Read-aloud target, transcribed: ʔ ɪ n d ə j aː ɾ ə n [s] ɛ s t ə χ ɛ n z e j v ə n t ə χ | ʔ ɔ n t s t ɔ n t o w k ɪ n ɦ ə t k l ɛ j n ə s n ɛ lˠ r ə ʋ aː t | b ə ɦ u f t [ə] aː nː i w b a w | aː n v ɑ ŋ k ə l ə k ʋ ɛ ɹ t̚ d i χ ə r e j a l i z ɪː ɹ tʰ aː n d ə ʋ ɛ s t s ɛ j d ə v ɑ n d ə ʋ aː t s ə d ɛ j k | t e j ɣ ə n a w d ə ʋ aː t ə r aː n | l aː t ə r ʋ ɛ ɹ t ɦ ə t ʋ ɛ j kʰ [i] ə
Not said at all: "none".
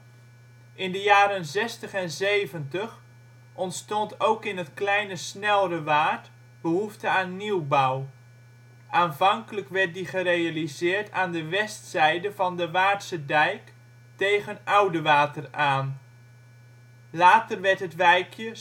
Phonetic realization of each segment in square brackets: z, ə, j

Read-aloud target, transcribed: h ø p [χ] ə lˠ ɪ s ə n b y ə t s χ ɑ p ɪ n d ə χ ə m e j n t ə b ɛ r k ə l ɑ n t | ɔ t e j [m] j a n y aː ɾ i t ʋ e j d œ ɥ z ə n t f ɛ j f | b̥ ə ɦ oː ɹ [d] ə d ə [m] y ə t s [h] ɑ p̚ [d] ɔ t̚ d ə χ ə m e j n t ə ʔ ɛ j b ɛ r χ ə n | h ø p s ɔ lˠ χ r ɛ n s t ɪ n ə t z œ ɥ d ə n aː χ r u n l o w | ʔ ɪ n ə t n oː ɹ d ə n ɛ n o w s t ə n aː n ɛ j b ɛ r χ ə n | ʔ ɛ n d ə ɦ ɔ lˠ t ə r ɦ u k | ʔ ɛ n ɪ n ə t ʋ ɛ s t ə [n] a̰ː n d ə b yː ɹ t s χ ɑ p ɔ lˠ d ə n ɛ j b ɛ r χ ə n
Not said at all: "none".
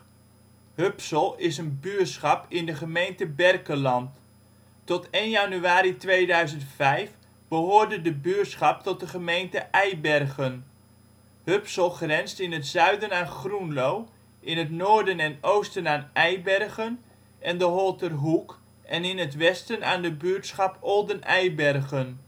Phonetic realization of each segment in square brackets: s, n, d, b, χ, t, n

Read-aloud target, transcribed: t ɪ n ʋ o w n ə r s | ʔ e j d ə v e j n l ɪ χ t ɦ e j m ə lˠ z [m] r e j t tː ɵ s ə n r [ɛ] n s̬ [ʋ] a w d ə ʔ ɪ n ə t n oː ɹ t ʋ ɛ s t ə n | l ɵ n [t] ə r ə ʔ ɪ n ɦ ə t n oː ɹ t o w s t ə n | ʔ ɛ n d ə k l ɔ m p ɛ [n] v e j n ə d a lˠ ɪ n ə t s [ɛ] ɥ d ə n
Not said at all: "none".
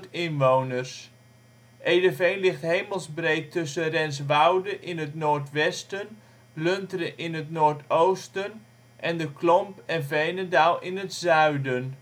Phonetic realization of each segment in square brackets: b, ɛ, ʋ, t, n, œ

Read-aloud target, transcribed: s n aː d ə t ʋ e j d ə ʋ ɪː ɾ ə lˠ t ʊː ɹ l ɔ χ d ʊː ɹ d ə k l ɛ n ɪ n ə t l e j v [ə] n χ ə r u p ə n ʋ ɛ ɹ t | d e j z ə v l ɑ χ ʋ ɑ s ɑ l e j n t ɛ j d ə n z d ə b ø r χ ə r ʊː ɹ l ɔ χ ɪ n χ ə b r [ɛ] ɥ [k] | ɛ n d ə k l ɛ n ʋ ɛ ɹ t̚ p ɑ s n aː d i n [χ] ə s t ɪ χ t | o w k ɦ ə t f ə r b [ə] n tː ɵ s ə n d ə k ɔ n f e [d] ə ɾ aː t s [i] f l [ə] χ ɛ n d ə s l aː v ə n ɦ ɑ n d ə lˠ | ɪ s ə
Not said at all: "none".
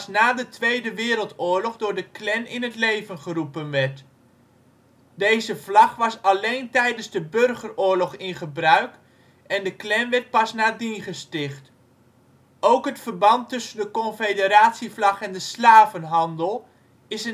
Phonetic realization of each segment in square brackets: ə, œ, k, χ, ɑ, d, i, ɑ

